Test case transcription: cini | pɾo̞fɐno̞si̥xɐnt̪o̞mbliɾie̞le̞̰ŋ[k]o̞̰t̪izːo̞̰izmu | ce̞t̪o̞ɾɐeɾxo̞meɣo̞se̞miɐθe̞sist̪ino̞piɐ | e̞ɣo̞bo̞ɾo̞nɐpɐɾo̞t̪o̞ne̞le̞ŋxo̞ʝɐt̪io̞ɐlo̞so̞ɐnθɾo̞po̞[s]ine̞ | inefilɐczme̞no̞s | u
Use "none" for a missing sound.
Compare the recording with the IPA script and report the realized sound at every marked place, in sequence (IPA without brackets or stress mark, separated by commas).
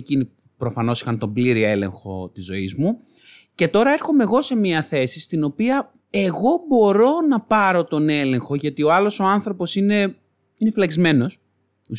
x, s